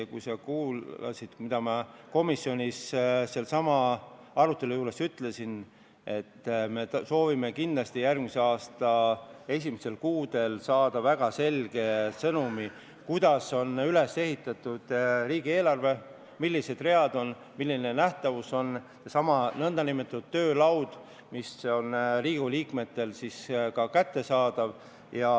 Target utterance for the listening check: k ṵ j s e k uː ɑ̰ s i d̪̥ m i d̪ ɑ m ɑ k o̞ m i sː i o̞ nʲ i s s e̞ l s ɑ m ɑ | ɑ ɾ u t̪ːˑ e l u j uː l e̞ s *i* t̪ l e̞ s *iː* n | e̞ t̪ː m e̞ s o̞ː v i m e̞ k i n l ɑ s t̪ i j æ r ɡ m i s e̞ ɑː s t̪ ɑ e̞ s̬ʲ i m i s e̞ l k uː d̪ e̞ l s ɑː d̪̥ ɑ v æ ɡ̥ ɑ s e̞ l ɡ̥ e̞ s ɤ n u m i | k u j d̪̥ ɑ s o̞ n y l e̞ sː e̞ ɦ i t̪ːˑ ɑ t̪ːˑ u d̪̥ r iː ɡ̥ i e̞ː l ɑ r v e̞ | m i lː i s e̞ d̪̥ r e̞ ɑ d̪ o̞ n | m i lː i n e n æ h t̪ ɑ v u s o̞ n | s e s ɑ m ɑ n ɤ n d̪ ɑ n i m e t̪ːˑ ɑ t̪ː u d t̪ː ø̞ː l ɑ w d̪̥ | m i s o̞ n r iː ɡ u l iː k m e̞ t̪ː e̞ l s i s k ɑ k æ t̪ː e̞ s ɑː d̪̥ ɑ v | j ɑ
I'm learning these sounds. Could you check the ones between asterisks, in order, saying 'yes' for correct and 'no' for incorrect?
no, no

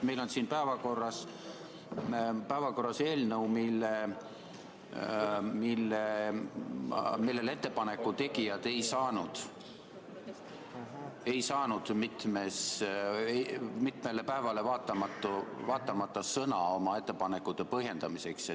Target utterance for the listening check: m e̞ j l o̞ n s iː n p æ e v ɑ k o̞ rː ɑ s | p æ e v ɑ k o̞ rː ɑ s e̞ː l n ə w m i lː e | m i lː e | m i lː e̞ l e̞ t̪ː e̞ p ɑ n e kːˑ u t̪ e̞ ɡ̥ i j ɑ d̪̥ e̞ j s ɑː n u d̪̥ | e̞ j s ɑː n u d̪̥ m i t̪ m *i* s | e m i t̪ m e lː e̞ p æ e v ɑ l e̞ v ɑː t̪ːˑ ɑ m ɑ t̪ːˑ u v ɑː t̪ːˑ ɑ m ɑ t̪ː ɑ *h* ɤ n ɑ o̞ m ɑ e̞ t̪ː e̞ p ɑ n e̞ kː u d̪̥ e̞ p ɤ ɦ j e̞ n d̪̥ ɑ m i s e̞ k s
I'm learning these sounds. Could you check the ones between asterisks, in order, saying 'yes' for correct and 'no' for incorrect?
no, no

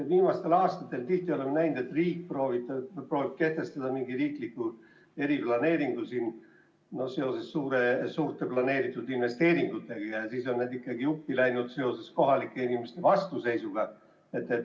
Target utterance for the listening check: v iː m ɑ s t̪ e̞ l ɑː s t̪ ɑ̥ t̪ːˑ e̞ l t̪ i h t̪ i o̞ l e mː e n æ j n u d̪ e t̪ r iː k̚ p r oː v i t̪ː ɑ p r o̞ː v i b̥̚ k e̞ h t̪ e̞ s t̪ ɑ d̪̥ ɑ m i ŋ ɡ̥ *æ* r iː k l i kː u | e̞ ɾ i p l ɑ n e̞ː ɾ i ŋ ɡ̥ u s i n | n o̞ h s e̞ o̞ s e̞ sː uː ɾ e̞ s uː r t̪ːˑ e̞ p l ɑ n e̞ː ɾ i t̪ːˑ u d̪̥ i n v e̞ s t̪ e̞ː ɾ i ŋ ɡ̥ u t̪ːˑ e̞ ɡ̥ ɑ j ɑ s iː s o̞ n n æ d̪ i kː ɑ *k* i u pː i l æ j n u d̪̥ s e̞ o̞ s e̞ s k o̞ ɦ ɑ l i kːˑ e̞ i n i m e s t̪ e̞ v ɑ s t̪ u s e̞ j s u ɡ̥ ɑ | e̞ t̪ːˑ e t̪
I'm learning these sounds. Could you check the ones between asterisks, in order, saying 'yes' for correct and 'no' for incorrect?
no, no

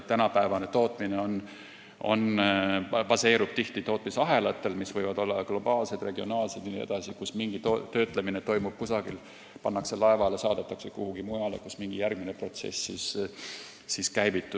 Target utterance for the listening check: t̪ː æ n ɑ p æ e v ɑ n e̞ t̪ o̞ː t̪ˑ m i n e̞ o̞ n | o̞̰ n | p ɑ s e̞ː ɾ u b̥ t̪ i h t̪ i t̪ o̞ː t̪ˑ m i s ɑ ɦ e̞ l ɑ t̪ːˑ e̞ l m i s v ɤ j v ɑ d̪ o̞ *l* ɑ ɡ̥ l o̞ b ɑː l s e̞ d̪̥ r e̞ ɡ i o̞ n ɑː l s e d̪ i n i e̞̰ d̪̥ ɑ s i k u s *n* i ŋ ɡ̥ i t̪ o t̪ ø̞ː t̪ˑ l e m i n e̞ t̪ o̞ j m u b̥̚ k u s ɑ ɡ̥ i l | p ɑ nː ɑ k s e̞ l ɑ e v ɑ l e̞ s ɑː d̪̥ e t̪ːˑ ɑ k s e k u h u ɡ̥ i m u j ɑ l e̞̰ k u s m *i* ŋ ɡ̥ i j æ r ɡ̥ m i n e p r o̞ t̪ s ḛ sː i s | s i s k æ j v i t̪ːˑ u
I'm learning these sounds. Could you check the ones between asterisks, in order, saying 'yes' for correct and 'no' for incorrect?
no, no, yes

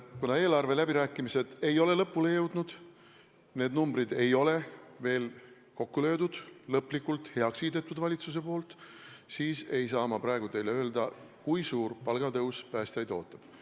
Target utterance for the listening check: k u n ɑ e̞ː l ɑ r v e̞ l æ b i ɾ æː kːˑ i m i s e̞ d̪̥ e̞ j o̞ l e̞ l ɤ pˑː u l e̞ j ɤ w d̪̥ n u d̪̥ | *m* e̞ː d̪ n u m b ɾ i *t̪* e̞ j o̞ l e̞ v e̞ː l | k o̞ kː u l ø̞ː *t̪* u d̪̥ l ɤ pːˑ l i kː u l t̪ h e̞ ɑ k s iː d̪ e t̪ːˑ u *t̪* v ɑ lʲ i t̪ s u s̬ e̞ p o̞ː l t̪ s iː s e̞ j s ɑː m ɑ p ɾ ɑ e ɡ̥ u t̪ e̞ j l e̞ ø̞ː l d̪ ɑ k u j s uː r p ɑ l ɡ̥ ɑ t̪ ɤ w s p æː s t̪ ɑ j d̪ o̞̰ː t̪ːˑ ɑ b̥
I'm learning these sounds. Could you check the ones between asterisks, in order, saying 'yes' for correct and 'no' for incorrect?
no, no, no, no

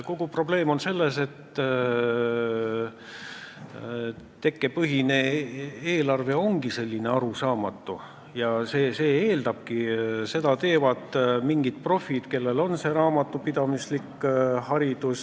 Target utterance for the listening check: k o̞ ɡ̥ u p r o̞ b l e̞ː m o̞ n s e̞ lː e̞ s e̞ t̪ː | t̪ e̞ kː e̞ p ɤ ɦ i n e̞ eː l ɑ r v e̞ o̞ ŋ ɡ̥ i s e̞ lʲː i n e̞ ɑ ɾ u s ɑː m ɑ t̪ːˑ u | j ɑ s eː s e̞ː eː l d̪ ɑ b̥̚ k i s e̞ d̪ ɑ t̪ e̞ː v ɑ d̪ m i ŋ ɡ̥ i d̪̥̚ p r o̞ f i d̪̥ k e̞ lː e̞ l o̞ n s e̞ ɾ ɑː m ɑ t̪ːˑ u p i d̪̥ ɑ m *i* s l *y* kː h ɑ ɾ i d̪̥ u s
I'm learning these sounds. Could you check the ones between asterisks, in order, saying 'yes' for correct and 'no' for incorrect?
yes, no

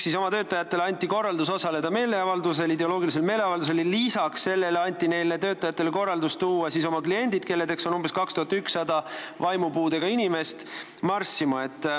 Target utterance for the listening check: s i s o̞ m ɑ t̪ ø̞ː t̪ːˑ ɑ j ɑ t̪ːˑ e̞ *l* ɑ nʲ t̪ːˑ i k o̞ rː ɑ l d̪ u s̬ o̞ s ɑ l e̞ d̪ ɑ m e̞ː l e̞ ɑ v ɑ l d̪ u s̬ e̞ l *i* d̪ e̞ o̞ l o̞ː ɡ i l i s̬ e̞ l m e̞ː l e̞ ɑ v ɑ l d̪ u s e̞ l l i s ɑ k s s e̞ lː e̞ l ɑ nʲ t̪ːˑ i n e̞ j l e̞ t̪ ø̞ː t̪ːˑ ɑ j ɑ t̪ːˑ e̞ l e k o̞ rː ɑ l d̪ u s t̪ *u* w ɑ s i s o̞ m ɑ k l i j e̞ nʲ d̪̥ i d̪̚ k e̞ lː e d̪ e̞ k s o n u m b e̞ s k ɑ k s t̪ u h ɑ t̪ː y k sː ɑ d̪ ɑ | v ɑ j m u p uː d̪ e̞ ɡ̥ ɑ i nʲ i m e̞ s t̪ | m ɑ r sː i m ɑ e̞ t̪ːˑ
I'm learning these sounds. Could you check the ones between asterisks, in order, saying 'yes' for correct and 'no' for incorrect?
yes, yes, no

